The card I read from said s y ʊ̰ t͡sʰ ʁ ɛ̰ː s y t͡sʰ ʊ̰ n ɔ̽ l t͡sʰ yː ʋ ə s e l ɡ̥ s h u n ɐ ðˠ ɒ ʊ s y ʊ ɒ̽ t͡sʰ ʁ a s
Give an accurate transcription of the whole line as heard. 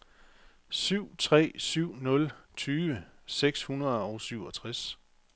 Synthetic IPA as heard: s y ʊ̰ t͡sʰ ʁ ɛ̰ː s y ʊ̰ n ɔ̽ l t͡sʰ yː ʋ ə s e ɡ̥ s h u n ɐ ðˠ ɒ ʊ s y ʊ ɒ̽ t͡sʰ ʁ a s

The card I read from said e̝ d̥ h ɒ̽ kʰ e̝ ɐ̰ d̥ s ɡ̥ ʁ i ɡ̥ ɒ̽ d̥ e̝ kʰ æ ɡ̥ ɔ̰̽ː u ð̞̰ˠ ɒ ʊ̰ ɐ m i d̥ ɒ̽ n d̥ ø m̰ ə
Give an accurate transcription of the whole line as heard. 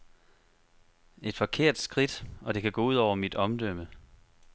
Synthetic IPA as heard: e̝ d̥ f ɒ̽ kʰ e̝ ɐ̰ d̥ s ɡ̥ ʁ i d̥ ɒ̽ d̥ e̝ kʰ æ ɡ̥ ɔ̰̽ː u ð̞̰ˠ ɒ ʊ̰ ɐ m i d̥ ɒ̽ m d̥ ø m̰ ə

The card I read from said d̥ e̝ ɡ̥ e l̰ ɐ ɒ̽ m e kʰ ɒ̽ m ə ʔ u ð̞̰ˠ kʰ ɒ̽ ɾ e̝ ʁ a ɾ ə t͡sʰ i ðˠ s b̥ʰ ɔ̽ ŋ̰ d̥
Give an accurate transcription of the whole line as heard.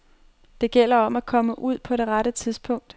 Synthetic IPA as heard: d̥ e̝ ɡ̥ e l̰ ɐ ɒ̽ m æ kʰ ɒ̽ m ə ʔ u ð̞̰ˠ pʰ ɒ̽ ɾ e̝ ʁ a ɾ ə t͡sʰ i ðˠ s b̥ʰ ɔ̽ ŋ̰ d̥

